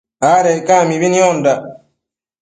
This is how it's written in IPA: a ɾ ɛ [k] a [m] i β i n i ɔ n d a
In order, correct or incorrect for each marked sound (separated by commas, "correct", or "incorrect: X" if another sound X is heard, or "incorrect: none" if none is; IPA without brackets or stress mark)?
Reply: correct, correct